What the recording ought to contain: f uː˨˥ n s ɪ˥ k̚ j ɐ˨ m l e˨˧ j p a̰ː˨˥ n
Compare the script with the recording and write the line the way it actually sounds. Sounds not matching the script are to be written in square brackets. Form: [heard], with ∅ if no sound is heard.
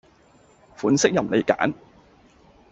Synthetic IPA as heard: f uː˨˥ n s ɪ˥ k̚ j ɐ˨ m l e˨˧ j [k] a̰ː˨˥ n